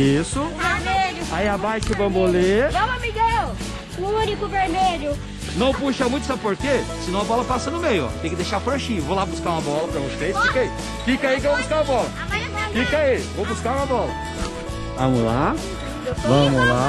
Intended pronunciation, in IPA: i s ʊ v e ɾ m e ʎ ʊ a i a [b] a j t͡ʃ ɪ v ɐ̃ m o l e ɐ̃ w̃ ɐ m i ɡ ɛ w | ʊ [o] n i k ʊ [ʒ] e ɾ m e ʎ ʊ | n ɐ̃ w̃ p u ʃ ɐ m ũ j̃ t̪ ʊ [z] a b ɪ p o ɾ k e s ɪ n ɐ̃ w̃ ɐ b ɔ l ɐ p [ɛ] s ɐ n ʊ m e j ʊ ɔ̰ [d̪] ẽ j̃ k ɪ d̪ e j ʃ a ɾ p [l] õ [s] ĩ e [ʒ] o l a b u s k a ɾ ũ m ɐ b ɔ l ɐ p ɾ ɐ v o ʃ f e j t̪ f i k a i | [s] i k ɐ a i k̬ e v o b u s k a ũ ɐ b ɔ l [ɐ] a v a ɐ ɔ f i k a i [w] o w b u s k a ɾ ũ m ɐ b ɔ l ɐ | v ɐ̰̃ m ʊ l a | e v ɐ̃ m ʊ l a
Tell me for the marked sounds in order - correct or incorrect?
correct, incorrect, incorrect, incorrect, incorrect, incorrect, incorrect, incorrect, incorrect, incorrect, correct, incorrect

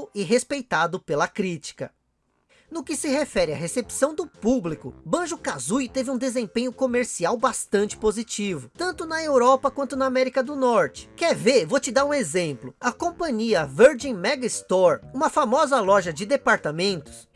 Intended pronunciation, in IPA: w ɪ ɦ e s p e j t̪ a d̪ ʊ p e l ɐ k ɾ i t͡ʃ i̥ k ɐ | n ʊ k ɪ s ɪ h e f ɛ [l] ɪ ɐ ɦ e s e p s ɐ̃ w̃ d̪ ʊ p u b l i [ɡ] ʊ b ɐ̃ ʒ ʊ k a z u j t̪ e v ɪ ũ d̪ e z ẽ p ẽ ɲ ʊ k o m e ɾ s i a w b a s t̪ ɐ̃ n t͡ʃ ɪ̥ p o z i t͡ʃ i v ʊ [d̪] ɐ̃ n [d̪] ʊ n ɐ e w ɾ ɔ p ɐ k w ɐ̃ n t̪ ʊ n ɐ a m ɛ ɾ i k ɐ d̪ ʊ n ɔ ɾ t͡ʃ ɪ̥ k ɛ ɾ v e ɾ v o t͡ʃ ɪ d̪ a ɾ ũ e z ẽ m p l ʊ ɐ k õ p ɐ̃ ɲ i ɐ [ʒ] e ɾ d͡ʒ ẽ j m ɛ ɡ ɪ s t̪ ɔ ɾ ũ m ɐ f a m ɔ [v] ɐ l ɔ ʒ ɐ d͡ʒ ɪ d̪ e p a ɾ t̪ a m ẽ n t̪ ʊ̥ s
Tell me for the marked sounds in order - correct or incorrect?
incorrect, incorrect, incorrect, incorrect, incorrect, incorrect

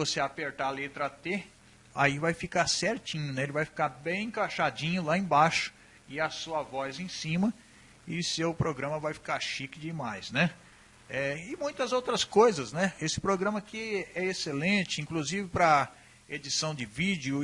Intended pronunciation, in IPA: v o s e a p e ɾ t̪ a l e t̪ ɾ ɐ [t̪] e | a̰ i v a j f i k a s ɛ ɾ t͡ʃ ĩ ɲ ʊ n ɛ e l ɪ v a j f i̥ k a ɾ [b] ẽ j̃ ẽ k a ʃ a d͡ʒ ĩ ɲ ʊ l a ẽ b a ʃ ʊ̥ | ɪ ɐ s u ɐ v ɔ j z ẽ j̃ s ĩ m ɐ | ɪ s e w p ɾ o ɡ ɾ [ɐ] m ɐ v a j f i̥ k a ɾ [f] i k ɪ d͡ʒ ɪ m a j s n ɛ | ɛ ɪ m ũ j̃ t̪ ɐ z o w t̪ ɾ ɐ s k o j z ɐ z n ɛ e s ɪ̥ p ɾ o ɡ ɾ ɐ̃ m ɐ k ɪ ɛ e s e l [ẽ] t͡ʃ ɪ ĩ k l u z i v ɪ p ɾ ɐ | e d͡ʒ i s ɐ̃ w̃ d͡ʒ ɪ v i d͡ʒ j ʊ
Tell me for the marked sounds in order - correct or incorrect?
correct, correct, incorrect, incorrect, correct

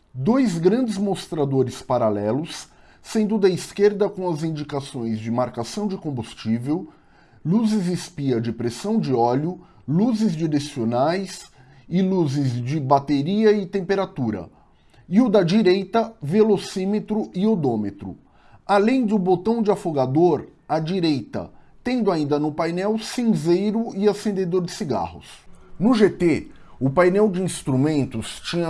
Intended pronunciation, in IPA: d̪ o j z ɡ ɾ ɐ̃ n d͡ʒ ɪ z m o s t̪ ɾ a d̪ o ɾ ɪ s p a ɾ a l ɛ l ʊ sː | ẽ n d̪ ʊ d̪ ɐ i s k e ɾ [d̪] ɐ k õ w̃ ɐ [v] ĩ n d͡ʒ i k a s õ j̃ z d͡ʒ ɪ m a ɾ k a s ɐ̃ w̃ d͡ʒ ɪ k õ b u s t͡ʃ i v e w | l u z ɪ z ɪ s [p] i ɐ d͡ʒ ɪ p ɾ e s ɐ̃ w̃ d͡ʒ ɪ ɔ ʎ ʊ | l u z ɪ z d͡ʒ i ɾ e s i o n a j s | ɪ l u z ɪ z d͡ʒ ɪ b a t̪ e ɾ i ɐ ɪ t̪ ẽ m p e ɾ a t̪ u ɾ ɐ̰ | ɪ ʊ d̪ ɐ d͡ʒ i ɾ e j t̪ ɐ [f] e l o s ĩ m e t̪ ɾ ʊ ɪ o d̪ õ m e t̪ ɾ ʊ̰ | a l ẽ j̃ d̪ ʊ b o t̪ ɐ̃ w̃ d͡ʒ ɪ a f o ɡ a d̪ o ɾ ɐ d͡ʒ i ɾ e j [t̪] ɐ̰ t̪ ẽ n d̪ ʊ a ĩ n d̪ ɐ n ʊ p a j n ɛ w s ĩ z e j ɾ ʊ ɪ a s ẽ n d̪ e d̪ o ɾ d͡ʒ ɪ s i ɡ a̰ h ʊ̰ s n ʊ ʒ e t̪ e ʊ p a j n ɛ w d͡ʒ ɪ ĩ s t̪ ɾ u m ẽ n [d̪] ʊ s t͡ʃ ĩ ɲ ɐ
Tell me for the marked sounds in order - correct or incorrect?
correct, incorrect, correct, incorrect, correct, incorrect

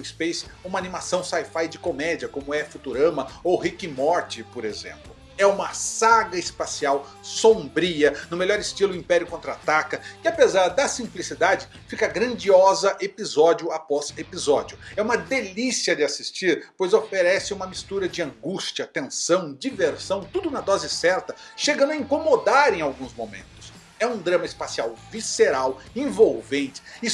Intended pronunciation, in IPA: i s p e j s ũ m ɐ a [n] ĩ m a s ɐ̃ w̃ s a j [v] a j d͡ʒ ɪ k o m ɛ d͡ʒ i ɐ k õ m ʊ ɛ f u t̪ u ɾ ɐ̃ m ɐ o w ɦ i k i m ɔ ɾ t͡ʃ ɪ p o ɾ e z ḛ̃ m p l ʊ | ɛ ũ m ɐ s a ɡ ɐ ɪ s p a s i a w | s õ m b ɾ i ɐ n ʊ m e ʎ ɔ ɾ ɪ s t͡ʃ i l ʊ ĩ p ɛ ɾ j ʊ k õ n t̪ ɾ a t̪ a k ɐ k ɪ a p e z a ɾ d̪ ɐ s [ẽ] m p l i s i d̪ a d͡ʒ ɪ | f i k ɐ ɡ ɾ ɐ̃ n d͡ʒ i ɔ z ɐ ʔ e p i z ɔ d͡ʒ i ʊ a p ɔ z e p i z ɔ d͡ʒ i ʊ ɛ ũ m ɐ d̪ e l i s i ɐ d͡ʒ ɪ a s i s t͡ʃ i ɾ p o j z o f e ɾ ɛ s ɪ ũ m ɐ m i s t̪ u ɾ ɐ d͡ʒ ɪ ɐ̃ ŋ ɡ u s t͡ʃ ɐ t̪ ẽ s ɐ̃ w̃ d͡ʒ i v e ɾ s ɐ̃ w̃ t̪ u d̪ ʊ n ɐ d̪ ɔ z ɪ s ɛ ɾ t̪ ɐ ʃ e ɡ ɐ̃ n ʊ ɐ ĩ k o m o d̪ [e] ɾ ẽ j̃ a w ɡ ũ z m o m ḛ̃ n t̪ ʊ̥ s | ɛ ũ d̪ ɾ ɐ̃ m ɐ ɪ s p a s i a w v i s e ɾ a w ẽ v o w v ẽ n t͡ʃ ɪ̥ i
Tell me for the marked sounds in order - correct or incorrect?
correct, incorrect, incorrect, incorrect

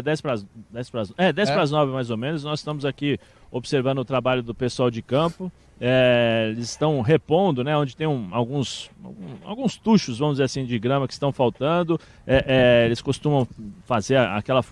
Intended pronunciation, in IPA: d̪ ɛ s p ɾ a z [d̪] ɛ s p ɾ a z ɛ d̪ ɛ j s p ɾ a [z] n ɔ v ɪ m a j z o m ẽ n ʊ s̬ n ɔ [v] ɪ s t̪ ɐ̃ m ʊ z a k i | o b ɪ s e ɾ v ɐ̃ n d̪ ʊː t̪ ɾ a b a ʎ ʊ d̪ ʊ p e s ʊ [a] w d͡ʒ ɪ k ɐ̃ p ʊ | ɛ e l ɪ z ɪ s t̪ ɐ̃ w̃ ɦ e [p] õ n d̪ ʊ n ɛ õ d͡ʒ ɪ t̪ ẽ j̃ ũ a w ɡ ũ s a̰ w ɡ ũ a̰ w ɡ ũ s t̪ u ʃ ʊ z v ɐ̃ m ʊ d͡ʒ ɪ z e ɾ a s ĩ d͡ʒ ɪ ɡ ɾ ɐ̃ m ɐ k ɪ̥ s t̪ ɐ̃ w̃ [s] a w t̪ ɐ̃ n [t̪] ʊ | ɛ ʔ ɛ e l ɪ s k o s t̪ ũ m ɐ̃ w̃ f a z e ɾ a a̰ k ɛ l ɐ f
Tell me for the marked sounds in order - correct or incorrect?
correct, correct, incorrect, correct, correct, incorrect, incorrect

